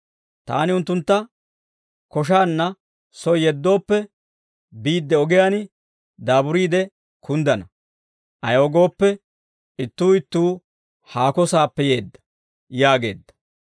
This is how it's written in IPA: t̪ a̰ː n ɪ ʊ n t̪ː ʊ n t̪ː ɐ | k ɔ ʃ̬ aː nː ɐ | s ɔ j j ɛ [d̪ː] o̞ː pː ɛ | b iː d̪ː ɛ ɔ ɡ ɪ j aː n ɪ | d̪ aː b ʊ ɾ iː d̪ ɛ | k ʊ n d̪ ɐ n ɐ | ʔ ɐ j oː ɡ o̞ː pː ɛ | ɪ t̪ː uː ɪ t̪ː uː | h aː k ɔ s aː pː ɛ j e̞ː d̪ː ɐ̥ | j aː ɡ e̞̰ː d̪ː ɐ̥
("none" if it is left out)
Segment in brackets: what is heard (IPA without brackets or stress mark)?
d̪ː